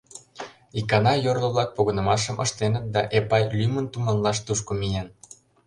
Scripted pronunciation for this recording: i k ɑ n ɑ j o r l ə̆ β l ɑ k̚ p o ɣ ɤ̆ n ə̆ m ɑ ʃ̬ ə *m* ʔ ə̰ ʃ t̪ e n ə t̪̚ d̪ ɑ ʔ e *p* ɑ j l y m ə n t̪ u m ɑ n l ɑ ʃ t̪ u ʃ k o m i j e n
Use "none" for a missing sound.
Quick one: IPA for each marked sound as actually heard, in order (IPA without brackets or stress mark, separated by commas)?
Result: m, p